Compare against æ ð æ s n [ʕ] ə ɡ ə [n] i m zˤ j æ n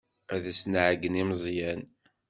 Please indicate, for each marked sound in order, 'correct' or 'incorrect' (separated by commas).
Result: correct, correct